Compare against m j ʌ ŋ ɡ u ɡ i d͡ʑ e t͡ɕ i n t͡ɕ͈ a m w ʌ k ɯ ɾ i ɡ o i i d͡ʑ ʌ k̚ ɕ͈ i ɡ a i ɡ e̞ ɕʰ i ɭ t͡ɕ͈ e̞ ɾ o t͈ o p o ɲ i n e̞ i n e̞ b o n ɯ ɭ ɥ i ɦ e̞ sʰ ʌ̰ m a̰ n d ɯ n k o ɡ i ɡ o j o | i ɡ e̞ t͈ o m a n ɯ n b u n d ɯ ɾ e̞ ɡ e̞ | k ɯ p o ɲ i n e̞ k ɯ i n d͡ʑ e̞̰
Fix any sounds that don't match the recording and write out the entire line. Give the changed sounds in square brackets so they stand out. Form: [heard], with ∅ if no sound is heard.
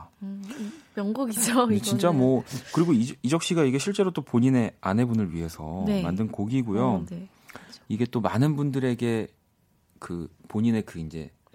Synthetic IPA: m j ʌ ŋ ɡ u ɡ i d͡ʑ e t͡ɕ i n t͡ɕ͈ a m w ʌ k ɯ ɾ i ɡ o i i d͡ʑ ʌ k̚ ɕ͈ i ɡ a i ɡ e̞ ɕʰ i ɭ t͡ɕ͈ e̞ ɾ o t͈ o p o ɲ i n e̞ [a] n e̞ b [u] n ɯ ɭ ɥ i ɦ e̞ sʰ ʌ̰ m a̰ n d ɯ n k o ɡ i ɡ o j o | i ɡ e̞ t͈ o m a n ɯ n b u n d ɯ ɾ e̞ ɡ e̞ | k ɯ p o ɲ i n e̞ k ɯ i n d͡ʑ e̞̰